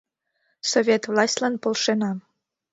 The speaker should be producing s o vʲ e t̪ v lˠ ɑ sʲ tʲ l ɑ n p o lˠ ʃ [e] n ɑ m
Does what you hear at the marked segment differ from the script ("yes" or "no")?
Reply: no